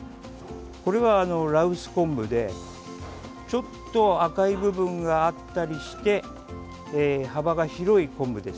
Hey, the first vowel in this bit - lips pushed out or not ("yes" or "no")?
yes